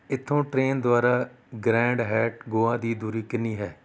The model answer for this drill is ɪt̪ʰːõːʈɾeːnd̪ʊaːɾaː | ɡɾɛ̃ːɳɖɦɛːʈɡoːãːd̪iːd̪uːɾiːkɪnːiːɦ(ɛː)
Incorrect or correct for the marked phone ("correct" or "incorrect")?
correct